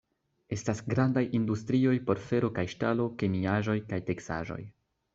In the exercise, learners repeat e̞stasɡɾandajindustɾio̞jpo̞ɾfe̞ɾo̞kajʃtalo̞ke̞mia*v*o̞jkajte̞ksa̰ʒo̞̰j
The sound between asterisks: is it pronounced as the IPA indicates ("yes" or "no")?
no